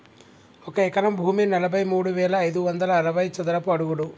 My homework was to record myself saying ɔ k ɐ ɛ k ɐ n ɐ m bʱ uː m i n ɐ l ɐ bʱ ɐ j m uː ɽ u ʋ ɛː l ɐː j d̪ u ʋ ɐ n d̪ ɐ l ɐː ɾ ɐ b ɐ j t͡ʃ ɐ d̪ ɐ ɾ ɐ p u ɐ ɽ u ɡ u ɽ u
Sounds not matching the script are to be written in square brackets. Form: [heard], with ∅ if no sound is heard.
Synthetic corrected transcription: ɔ k ɐ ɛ k ɐ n ɐ m bʱ uː m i n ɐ l ɐ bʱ ɐ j m uː ɽ u ʋ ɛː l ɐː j d̪ u ʋ ɐ n d̪ ɐ l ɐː ɾ ɐ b ɐ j t͡ʃ ɐ d̪ ɐ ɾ ɐ p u ɐ ɽ u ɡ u ɽ u